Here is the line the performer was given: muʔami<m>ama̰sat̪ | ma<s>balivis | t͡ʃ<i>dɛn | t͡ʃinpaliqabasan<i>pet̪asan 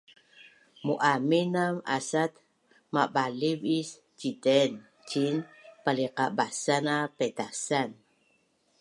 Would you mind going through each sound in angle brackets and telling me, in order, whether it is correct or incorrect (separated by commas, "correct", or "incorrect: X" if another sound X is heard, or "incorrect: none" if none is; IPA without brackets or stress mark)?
incorrect: n, incorrect: none, correct, incorrect: a